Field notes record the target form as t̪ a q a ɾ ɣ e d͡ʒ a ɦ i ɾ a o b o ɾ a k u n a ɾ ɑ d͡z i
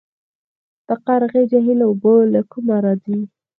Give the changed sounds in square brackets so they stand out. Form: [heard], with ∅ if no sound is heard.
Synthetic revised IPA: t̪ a q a ɾ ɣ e d͡ʒ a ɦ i [l] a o b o [l] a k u [m] a ɾ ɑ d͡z i